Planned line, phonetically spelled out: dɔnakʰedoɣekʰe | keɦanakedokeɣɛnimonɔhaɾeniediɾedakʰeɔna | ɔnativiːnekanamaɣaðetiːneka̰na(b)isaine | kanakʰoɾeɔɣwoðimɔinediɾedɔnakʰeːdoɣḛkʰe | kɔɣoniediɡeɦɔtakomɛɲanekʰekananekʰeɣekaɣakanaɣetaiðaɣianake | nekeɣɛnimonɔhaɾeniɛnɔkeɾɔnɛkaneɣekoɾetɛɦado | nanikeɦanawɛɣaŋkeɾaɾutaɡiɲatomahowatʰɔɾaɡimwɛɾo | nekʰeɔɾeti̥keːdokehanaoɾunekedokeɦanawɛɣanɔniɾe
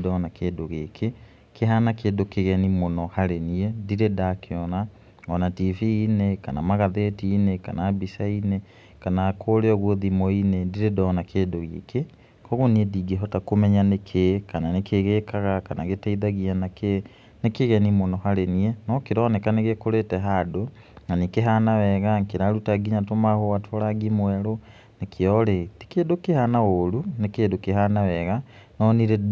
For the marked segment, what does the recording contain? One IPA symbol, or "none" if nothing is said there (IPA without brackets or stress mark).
b